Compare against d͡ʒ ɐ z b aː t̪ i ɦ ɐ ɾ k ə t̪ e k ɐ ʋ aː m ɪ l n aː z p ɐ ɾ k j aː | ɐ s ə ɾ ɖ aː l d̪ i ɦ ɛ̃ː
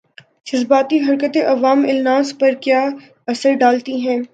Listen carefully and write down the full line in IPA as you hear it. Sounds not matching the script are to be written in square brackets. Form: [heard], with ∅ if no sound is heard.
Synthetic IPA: d͡ʒ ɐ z b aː t̪ i ɦ ɐ ɾ k ə t̪ e [ʔ] ɐ ʋ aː m ɪ l n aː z p ɐ ɾ k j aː | ɐ s ə ɾ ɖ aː l [t̪] i ɦ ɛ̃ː